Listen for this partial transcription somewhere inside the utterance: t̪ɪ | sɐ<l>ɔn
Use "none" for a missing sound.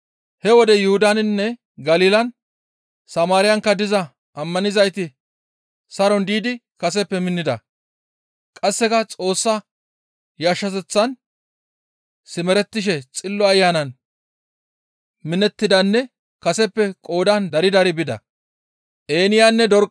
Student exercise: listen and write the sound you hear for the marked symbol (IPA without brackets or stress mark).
ɾ